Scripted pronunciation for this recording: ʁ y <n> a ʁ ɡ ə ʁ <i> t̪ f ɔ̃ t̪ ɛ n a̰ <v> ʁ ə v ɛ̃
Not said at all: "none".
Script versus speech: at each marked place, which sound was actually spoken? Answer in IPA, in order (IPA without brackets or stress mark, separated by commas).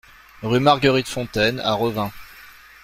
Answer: m, i, none